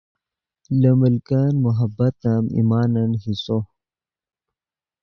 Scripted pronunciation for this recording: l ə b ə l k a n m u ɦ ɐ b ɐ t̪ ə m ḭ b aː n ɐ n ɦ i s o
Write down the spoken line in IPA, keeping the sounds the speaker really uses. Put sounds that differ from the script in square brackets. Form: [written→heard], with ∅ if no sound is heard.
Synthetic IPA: l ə [b→m] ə l k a n m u ɦ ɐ b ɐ t̪ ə m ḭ [b→m] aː n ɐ n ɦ i s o